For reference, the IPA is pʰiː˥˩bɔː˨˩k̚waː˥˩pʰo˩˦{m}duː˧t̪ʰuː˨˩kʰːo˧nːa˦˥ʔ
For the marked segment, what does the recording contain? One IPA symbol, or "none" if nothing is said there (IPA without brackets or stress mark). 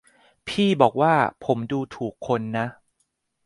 m